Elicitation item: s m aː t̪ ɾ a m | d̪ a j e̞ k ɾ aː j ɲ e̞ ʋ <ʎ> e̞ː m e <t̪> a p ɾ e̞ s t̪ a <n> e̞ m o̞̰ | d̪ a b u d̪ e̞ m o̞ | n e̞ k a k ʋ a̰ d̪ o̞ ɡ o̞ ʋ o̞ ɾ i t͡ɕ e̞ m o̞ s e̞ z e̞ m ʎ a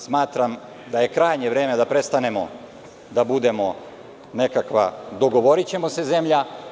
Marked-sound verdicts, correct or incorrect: incorrect: ɾ, incorrect: d̪, correct

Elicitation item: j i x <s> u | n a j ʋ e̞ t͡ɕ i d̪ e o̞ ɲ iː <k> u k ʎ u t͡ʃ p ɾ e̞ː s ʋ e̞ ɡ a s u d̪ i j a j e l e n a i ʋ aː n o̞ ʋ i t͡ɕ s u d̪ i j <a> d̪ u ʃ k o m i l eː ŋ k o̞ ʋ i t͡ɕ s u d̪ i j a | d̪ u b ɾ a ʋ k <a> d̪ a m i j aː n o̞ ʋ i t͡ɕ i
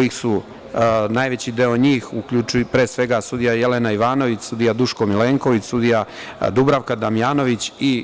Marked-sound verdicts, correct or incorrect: correct, incorrect: x, correct, correct

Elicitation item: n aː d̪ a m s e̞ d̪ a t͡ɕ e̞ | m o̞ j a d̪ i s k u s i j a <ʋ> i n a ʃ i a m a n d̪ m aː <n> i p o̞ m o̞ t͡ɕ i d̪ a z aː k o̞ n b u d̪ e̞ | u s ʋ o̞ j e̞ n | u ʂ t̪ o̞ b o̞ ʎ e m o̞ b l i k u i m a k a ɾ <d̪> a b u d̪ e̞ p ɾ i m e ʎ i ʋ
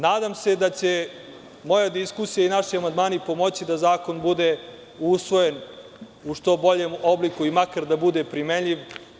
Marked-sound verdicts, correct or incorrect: incorrect: none, correct, correct

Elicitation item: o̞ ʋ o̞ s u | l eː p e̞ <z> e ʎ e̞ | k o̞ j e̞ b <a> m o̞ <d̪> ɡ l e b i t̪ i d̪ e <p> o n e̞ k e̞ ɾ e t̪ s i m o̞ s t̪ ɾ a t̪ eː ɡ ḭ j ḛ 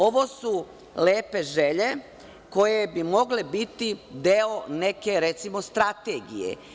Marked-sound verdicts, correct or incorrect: incorrect: ʒ, incorrect: i, incorrect: none, incorrect: none

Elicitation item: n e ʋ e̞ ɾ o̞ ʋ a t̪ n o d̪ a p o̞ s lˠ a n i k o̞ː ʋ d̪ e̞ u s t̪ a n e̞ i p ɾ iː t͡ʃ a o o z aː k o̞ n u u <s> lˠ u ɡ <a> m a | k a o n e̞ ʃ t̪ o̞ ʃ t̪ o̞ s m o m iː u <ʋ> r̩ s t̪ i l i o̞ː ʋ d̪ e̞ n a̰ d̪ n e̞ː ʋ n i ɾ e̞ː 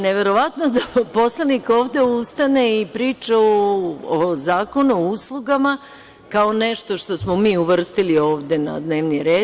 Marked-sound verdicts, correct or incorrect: correct, correct, correct

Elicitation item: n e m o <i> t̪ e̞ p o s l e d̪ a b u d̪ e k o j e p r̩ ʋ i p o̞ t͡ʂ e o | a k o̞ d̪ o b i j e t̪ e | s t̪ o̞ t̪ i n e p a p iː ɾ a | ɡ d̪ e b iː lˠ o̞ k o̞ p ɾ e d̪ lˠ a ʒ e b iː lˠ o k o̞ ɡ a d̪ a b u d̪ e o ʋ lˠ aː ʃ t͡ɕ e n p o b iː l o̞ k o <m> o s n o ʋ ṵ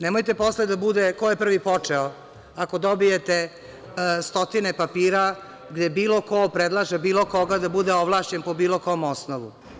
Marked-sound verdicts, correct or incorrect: incorrect: j, correct

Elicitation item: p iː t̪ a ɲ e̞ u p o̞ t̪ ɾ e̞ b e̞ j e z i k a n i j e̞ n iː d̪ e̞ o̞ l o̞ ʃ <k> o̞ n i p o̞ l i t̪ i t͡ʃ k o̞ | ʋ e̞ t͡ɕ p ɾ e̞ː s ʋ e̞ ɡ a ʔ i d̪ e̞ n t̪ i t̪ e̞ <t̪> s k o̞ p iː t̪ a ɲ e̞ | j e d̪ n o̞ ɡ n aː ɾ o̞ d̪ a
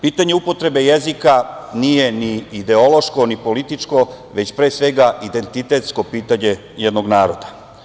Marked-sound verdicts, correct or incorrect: correct, correct

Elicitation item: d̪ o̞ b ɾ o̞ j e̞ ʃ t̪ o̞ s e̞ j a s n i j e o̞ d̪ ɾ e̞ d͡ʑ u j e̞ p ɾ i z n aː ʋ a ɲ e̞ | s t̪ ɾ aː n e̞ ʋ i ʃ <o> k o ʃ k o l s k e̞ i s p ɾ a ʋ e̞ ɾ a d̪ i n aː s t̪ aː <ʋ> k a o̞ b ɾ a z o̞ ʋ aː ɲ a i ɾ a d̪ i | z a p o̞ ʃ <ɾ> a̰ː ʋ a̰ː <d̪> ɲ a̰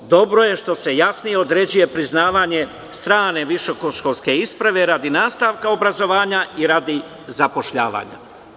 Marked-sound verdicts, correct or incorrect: correct, correct, incorrect: ʎ, incorrect: none

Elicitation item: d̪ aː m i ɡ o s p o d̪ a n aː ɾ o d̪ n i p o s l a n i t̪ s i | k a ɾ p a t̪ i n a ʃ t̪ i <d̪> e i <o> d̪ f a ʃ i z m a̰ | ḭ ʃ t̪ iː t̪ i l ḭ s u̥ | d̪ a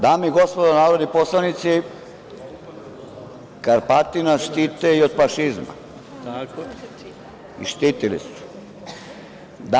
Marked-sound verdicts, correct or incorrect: incorrect: t̪, correct

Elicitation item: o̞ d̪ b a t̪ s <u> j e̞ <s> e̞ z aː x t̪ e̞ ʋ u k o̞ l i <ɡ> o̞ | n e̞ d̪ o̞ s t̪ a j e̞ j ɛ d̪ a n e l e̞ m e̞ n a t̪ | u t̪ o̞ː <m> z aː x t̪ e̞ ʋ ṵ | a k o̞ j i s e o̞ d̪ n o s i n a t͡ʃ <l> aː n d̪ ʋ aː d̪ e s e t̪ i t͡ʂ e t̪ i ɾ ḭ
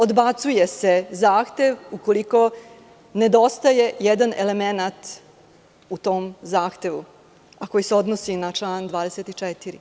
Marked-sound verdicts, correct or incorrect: correct, correct, incorrect: k, correct, correct

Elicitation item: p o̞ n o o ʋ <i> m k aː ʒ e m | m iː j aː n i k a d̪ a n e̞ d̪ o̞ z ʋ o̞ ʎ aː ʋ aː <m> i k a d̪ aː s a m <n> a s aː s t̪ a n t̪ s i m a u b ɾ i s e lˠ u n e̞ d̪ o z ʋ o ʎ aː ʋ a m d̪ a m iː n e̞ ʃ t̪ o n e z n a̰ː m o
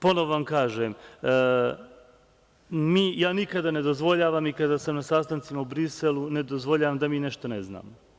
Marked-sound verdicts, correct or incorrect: incorrect: a, correct, correct

